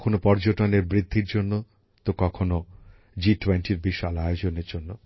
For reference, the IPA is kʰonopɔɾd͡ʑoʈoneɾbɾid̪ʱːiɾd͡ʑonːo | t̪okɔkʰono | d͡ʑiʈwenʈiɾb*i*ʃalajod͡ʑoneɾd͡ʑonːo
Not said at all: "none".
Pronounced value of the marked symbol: i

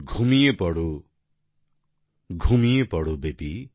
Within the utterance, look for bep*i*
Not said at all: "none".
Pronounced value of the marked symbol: i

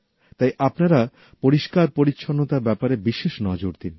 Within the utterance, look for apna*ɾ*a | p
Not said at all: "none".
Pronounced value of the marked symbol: ɾ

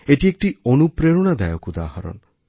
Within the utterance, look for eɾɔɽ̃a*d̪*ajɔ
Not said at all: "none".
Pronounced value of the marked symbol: d̪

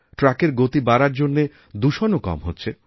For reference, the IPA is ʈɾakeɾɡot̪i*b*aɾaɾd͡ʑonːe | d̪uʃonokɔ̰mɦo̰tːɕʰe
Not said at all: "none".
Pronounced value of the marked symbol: b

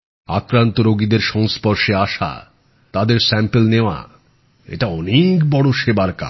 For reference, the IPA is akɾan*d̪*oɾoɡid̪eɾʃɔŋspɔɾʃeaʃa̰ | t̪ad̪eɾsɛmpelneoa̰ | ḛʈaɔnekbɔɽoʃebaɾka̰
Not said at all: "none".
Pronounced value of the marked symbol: t̪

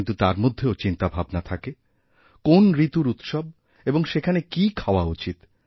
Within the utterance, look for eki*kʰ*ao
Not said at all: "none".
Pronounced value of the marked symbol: kʰ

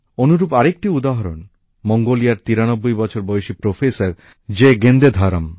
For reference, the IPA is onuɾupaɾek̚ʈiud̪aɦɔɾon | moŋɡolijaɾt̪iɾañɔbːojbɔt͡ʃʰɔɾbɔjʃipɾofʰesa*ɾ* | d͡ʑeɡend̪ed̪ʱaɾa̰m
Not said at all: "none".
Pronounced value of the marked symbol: ɾ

